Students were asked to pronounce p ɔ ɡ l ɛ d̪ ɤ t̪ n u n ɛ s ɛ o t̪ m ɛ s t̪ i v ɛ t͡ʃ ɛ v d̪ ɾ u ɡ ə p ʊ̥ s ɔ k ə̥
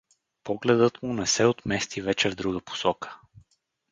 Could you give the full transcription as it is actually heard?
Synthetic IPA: p ɔ ɡ l ɛ d̪ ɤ t̪ m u n ɛ s ɛ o t̪ m ɛ s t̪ i v ɛ t͡ʃ ɛ v d̪ ɾ u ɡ ə p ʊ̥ s ɔ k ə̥